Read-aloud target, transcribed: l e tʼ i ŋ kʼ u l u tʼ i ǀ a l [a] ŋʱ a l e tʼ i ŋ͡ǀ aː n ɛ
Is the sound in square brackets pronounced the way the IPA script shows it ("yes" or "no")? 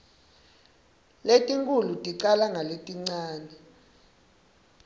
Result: yes